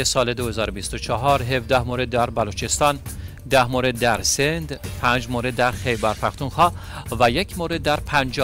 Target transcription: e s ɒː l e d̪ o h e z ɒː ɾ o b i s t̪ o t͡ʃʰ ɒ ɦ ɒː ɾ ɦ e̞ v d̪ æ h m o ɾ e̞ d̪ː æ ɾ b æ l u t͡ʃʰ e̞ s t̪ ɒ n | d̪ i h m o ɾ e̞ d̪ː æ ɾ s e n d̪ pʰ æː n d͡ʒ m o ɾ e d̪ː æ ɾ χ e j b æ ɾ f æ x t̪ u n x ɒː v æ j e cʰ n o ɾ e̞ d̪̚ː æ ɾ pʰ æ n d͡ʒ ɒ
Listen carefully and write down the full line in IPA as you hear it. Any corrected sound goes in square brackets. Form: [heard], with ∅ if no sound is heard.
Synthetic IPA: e s ɒː l e d̪ o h e z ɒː ɾ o b i s t̪ o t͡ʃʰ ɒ ɦ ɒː ɾ ɦ e̞ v d̪ æ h m o ɾ e̞ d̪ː æ ɾ b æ l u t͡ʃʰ e̞ s t̪ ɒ n | d̪ [æ] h m o ɾ e̞ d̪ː æ ɾ s e n d̪ pʰ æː n d͡ʒ m o ɾ e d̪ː æ ɾ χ e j b æ ɾ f æ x t̪ u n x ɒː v æ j e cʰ [m] o ɾ e̞ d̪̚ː æ ɾ pʰ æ n d͡ʒ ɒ